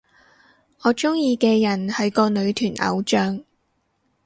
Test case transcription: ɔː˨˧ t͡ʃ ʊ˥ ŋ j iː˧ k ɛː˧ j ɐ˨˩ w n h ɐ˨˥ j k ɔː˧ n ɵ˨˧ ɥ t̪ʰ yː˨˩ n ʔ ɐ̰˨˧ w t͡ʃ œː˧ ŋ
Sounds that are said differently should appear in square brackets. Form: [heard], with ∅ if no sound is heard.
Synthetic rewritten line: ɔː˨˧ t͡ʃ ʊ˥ ŋ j iː˧ k ɛː˧ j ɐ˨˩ [∅] n h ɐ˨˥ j k ɔː˧ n ɵ˨˧ ɥ t̪ʰ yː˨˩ n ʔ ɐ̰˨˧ w t͡ʃ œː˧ ŋ

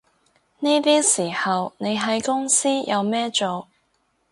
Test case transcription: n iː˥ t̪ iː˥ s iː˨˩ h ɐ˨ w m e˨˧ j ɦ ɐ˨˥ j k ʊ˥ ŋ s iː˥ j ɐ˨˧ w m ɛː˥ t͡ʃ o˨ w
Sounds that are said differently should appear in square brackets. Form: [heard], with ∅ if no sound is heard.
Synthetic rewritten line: n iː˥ t̪ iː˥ s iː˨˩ h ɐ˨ w [n] e˨˧ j ɦ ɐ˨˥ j k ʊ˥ ŋ s iː˥ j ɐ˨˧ w m ɛː˥ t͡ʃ o˨ w

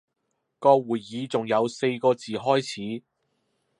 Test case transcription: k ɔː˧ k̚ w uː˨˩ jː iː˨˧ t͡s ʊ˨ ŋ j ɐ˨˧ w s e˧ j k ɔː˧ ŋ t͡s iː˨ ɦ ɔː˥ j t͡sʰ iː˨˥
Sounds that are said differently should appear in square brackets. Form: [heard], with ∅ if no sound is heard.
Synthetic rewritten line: k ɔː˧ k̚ w uː˨˩ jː iː˨˧ t͡s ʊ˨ ŋ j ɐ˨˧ w s e˧ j k ɔː˧ [∅] t͡s iː˨ ɦ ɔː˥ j t͡sʰ iː˨˥

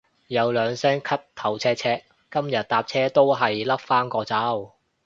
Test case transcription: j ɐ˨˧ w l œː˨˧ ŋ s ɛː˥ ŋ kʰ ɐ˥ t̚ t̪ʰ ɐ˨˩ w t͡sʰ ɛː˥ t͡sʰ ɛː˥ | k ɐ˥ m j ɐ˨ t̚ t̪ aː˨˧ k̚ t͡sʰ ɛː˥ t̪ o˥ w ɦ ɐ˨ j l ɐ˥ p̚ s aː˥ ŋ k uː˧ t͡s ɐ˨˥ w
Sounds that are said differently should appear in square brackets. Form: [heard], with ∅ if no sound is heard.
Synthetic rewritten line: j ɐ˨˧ w l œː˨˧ ŋ s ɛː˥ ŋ kʰ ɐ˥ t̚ t̪ʰ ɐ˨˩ w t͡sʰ ɛː˥ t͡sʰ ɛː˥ | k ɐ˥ m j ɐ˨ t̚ t̪ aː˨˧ [p̚] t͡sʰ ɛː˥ t̪ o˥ w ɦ ɐ˨ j l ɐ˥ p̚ [f] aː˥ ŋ k [ɔː˧] t͡s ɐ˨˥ w

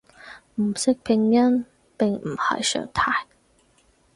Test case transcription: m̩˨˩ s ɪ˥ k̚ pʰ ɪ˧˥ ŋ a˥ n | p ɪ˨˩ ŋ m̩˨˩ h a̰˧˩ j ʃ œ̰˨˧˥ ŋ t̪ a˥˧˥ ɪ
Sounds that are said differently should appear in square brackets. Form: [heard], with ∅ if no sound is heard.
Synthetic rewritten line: m̩˨˩ s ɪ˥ k̚ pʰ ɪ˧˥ ŋ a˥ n | p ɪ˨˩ ŋ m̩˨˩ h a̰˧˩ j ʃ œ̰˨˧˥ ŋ [t̪ʰ] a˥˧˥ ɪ

